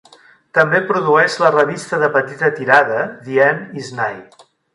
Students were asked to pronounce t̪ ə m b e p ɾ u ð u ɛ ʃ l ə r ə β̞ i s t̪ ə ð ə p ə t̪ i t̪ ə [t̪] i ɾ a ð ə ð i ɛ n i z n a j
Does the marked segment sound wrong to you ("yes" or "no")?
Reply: no